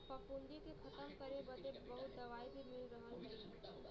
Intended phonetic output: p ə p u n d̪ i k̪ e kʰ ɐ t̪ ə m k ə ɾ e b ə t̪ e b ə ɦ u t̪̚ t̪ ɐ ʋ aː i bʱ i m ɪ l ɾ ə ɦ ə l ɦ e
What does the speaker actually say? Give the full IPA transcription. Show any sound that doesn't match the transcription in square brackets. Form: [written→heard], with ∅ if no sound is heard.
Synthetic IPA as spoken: p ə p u n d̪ i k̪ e kʰ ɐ t̪ ə m k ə ɾ e b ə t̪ e b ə ɦ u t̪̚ [t̪→d̪] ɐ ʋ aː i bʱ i m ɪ l ɾ ə ɦ ə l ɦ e